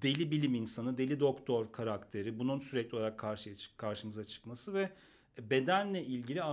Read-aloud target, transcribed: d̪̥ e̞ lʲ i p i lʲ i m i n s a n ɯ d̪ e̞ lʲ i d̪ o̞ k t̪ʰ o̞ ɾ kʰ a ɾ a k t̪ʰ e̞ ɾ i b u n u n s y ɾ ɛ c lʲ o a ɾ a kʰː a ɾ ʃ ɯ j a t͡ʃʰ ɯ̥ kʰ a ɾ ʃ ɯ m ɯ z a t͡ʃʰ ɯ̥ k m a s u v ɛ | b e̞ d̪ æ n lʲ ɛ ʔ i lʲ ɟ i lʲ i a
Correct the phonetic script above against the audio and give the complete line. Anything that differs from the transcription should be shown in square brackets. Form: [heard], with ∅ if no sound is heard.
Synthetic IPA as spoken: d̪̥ e̞ lʲ i [b] i lʲ i m i n s a n ɯ d̪ e̞ lʲ i d̪ o̞ k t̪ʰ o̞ ɾ kʰ a ɾ a k t̪ʰ e̞ ɾ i b u n u n s y ɾ ɛ c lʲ o a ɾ a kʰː a ɾ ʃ ɯ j a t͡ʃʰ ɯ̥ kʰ a ɾ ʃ ɯ m ɯ z a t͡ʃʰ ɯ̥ k m a s [ɯ] v ɛ | b e̞ d̪ æ n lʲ ɛ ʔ i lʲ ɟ i lʲ i a